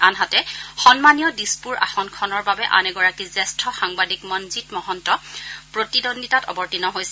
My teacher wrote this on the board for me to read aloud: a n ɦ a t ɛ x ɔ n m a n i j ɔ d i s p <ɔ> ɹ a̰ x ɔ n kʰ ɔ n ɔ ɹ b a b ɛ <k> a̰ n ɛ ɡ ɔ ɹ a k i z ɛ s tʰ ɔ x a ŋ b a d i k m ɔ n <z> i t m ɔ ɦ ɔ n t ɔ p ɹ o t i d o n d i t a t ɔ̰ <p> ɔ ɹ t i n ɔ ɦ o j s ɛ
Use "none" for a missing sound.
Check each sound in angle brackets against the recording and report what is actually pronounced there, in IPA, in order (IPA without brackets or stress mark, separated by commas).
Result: u, ʔ, z, b